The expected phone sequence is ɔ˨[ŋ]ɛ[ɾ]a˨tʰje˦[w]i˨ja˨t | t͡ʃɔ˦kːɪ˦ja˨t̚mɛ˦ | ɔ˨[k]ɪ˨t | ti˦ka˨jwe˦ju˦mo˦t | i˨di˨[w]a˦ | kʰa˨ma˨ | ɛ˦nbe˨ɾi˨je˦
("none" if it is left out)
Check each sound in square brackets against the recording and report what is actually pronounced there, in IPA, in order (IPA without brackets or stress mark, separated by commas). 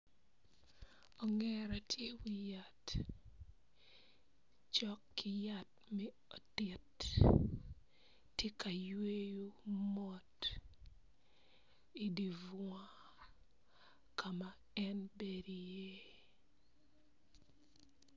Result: ŋ, ɾ, w, t, v